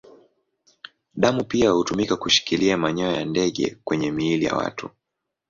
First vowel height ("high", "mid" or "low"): low